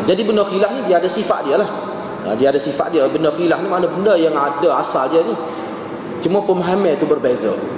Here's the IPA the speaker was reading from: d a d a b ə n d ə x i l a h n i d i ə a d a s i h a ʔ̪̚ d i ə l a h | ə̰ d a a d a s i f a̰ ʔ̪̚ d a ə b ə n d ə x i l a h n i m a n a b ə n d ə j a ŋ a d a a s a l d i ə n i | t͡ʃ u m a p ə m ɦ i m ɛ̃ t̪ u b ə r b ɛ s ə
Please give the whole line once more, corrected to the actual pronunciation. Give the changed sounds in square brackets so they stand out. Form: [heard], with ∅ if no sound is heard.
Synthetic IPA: [d͡ʒ] a d [i] b ə n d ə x i l a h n i d i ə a d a s i [f] a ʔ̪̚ d i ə l a h | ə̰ d [i] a d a s i f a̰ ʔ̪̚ d [i] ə b ə n d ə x i l a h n i m a n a b ə n d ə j a ŋ a d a a s a l d i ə n i | t͡ʃ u m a p ə m ɦ [a] m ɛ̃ t̪ u b ə r b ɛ [z] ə